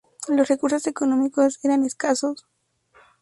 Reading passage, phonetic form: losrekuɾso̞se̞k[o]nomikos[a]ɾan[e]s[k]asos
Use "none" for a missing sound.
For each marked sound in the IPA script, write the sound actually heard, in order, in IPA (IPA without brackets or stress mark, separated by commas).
o, e, e, k